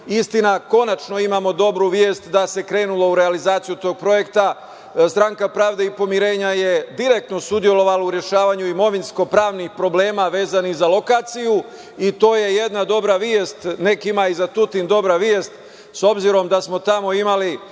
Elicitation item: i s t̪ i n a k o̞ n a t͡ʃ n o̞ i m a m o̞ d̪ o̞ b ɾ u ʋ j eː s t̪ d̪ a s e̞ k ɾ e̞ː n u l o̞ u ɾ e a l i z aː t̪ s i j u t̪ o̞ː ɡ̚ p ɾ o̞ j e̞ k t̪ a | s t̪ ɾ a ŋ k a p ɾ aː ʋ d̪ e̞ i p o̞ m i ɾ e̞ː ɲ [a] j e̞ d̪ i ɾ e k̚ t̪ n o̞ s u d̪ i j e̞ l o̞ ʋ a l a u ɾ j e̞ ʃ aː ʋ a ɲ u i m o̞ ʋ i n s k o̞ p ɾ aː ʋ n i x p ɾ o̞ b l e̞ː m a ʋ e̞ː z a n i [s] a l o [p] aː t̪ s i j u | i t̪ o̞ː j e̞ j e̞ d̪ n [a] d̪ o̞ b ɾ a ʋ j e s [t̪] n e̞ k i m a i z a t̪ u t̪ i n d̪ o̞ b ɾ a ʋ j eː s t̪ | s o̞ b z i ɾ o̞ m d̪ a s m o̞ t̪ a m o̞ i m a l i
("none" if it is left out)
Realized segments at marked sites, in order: a, z, k, a, t̪

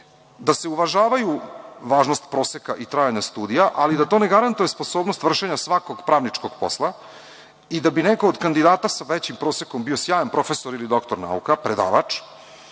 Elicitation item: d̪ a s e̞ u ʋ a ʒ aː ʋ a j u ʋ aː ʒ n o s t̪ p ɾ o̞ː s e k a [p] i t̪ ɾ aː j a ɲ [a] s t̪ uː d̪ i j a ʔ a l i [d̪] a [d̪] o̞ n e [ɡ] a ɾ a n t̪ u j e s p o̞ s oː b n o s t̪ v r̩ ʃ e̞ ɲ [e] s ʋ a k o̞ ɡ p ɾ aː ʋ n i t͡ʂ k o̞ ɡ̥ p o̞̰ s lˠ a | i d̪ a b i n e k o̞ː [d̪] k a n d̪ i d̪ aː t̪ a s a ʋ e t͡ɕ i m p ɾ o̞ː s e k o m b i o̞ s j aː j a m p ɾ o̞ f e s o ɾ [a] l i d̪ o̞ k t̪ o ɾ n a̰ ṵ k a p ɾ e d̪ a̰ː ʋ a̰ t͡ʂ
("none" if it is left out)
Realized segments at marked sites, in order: ʔ, a, d̪, t̪, ɡ, a, d̪, i

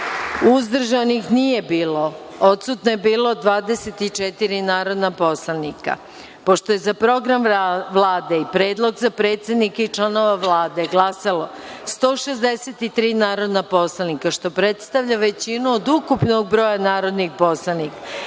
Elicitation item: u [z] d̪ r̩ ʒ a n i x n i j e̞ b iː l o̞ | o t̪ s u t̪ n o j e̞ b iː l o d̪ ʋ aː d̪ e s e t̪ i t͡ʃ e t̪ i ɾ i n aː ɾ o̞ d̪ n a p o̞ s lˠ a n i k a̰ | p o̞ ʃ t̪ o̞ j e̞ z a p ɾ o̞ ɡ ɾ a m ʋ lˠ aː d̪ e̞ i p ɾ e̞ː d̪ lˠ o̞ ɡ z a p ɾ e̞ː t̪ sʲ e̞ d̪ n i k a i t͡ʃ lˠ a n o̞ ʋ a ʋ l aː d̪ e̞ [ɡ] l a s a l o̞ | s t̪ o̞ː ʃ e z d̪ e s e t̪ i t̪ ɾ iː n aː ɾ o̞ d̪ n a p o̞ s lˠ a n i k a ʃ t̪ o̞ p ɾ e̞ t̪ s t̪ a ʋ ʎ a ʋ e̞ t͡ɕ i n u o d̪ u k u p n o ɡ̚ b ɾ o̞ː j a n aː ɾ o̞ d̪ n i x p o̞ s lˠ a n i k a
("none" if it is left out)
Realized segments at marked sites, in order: z, ɡ

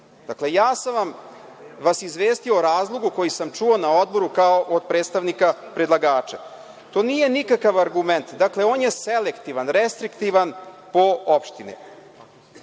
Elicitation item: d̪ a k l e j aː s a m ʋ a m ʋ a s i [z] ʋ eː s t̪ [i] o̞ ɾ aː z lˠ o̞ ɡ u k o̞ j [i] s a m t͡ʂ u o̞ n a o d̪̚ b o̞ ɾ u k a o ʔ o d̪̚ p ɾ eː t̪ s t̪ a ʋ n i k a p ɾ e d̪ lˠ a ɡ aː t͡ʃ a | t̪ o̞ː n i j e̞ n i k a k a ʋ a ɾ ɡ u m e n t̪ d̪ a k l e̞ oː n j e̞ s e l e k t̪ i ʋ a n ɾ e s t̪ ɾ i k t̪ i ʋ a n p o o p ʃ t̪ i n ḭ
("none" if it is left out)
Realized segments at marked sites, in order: z, i, i

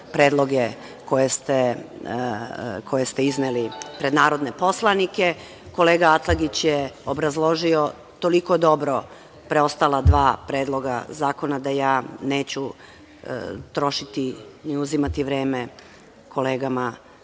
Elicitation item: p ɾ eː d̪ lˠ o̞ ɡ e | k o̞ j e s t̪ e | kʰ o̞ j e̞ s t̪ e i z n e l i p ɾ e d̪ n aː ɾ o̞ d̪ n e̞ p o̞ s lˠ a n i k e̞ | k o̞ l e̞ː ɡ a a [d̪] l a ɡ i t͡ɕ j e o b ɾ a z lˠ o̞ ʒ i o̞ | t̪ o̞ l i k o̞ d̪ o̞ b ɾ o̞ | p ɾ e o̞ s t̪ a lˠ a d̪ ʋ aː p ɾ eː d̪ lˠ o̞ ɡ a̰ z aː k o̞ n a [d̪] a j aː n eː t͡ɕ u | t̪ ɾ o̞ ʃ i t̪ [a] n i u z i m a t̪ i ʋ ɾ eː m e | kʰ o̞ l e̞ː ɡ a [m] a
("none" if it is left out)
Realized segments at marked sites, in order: t̪, d̪, i, m

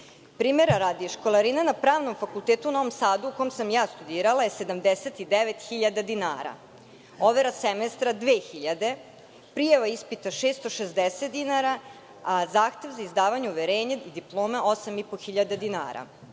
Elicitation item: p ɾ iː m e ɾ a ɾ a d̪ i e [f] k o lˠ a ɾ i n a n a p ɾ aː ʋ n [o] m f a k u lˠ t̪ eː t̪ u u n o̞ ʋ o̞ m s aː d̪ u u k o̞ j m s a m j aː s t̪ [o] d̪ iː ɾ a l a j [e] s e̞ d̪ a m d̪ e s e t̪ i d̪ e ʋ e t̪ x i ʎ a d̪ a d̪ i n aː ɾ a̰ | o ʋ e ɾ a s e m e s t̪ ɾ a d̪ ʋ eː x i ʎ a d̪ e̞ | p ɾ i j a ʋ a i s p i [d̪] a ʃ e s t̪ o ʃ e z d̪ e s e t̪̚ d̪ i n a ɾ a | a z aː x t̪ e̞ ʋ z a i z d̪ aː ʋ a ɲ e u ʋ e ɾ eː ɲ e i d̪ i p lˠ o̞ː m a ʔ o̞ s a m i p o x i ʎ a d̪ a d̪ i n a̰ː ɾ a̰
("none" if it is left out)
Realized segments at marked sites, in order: ʃ, o, u, e, t̪

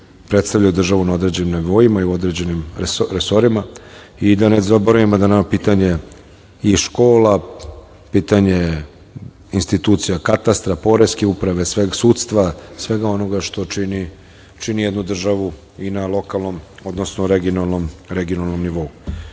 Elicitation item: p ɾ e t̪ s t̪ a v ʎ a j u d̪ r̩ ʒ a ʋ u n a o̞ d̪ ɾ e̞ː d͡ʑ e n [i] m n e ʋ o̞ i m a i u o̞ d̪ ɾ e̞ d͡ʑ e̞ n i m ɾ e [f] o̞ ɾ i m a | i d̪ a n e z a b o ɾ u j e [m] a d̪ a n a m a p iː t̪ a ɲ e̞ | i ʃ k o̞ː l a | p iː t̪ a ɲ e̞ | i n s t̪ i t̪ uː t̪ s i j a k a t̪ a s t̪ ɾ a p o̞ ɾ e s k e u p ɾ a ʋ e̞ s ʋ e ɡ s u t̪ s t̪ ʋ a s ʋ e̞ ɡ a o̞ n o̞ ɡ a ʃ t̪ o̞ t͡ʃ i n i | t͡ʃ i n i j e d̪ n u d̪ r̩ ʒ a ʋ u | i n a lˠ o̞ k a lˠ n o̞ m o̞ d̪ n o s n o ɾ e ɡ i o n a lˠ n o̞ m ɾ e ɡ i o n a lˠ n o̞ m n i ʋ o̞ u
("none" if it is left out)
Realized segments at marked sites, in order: i, s, m

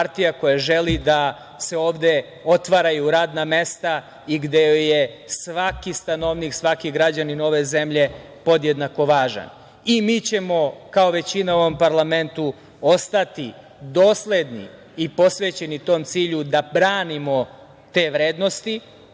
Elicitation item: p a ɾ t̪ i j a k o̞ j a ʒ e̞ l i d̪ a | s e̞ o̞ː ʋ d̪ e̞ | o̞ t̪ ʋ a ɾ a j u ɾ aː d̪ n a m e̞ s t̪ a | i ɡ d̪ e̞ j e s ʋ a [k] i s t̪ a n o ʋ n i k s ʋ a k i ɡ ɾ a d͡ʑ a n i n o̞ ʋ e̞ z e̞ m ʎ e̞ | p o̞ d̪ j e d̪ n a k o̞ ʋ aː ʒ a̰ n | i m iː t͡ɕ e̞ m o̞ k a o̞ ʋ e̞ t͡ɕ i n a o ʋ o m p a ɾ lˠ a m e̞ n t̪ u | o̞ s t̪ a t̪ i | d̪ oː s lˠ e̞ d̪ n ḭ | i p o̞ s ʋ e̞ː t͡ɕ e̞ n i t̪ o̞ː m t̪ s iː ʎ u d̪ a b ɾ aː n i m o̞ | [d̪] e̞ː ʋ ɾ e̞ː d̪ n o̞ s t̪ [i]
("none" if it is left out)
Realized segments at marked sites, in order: k, t̪, i

